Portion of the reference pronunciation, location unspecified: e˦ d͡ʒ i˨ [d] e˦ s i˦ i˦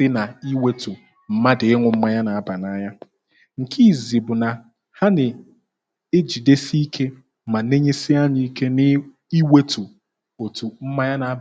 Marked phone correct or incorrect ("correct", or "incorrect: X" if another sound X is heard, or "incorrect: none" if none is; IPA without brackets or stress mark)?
correct